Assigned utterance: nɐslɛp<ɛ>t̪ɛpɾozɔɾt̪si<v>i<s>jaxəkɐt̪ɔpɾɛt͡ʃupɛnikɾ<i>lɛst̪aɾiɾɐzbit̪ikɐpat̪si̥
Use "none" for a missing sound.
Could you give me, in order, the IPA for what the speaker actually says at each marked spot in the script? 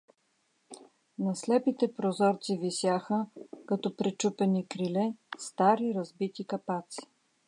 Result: i, v, s, i

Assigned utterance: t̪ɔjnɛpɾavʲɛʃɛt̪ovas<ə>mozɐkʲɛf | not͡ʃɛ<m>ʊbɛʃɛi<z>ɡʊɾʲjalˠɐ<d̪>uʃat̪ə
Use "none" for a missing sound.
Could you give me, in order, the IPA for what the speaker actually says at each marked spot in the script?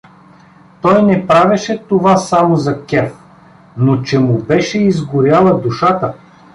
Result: a, m, z, d̪

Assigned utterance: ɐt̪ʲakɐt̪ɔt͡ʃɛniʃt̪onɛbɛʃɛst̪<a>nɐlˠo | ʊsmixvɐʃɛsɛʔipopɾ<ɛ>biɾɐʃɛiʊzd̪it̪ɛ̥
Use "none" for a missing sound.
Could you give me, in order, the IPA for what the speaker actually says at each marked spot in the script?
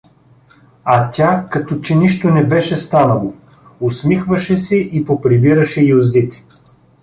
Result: a, i

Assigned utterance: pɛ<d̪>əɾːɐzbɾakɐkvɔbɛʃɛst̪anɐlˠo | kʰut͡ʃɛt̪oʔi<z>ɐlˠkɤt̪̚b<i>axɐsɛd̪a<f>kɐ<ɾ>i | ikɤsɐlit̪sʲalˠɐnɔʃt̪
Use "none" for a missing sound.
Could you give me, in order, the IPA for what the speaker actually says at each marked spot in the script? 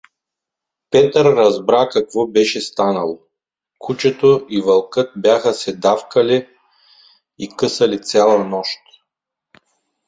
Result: t̪, v, j, f, l

